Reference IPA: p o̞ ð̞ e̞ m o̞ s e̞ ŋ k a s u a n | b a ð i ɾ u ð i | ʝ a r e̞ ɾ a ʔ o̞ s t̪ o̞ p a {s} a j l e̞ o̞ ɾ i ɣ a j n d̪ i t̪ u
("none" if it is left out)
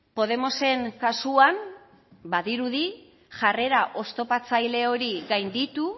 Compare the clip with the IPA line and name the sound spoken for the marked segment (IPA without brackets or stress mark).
t͡s